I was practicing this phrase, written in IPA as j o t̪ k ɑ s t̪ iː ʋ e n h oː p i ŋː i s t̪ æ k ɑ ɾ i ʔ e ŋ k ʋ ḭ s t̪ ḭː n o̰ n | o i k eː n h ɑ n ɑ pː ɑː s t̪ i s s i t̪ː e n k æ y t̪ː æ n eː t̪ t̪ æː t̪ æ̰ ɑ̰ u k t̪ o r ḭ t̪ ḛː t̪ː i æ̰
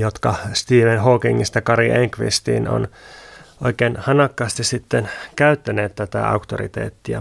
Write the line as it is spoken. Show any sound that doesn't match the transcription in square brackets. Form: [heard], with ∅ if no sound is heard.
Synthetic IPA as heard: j o t̪ k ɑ s t̪ iː ʋ e n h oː [k] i ŋː i s t̪ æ k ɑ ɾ i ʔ e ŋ k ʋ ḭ s t̪ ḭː n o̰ n | o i k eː n h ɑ n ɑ [kː] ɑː s t̪ i s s i t̪ː e n k æ y t̪ː æ n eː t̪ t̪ [æ] t̪ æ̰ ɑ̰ u k t̪ o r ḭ t̪ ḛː t̪ː i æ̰